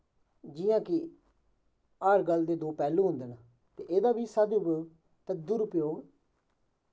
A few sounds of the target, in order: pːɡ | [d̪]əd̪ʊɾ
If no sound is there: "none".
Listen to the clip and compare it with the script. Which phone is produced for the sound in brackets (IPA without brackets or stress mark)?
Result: t̪